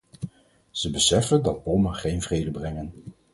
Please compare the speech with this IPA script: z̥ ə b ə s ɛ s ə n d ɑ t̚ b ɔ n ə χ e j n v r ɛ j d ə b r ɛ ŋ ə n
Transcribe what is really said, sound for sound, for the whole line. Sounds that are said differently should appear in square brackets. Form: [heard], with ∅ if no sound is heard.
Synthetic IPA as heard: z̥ ə b ə s ɛ [f] ə n d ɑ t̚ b ɔ [m] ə χ e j n v r [e] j d ə b r ɛ ŋ ə n